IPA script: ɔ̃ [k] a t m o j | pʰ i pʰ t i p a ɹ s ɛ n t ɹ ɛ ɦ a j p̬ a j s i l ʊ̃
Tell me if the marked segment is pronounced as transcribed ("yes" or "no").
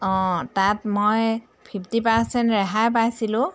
no